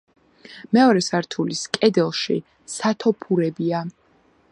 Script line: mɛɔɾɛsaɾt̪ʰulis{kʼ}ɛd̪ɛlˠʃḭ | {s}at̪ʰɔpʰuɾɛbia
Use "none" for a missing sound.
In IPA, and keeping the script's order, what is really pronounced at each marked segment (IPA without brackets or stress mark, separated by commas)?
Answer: kʼ, s